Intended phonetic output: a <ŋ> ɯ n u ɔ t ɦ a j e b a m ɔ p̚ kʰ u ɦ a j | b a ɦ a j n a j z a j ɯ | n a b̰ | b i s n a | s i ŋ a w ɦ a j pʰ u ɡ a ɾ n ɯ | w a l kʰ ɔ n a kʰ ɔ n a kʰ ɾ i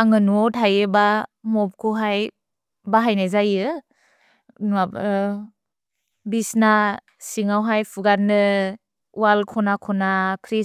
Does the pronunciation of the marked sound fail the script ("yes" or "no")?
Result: no